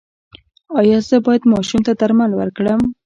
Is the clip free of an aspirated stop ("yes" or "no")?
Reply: yes